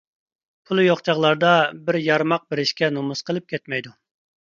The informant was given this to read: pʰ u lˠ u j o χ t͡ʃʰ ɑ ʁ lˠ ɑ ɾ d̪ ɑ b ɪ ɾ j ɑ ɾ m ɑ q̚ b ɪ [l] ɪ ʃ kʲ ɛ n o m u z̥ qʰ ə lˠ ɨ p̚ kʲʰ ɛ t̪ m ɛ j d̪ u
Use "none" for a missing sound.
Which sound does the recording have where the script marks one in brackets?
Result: ɾ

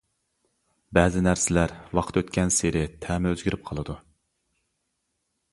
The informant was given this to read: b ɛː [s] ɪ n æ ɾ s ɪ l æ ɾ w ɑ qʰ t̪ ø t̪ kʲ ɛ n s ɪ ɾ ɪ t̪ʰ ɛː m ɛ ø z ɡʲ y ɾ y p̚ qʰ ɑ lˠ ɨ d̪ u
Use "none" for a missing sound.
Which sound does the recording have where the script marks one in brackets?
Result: z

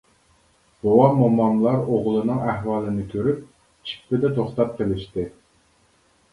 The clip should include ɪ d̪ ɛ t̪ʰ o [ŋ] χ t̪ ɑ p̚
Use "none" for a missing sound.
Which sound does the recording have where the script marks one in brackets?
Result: none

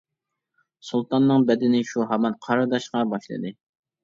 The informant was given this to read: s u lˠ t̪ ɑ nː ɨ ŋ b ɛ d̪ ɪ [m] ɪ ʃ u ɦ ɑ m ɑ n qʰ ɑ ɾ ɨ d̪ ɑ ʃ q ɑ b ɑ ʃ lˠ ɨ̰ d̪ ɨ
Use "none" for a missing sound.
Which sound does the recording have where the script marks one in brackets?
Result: n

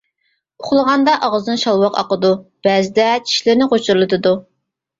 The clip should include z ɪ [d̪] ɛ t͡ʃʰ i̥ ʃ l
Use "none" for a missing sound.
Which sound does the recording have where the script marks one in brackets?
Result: d̪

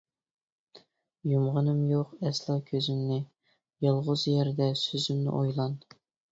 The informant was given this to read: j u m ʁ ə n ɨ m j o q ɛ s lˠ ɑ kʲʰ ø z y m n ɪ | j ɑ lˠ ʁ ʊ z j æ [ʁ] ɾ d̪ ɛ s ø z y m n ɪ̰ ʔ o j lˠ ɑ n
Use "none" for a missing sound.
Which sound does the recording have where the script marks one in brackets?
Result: none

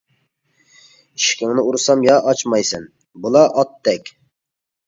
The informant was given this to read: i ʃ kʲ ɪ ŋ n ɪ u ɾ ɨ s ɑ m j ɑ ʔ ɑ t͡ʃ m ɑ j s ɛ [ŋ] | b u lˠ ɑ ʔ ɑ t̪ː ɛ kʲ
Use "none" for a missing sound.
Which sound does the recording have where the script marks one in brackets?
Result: n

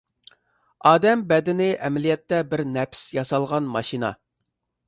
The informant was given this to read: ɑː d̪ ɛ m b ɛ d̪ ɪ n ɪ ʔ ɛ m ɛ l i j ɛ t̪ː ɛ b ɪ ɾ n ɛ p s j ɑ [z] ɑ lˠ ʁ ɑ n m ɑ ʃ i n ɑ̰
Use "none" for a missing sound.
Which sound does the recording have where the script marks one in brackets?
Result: s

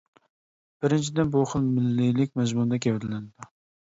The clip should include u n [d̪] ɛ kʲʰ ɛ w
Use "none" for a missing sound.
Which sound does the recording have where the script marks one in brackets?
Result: d̪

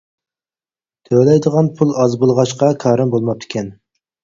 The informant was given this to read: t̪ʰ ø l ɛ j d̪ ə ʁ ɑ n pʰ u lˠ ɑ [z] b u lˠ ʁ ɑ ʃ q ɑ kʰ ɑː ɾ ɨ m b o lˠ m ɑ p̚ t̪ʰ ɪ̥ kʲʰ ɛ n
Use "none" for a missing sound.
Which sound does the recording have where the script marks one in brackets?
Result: z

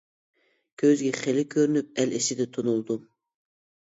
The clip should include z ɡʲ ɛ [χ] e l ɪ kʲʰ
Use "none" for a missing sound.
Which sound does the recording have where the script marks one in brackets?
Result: χ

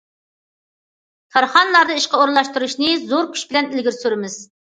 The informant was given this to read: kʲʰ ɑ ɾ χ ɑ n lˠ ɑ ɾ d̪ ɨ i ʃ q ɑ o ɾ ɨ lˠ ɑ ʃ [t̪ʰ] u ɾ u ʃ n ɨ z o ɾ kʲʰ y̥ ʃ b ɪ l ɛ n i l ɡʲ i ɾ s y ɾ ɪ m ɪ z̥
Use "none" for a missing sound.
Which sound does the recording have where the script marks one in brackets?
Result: t̪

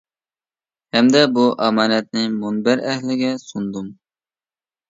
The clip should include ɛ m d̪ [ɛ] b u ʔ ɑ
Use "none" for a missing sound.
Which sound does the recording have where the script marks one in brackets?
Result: ɛ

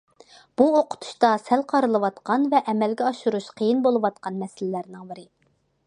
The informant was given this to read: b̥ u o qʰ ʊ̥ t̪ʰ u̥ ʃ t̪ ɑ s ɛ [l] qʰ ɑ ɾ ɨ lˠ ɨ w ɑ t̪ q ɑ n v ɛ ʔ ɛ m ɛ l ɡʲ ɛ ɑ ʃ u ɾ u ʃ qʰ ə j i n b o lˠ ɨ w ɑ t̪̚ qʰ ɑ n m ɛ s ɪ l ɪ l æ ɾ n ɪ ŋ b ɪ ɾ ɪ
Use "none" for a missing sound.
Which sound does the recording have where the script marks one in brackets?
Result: l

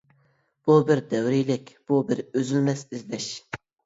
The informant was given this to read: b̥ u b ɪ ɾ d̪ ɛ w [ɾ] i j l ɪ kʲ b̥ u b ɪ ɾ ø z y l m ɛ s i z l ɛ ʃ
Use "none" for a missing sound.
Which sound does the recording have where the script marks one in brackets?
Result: ɾ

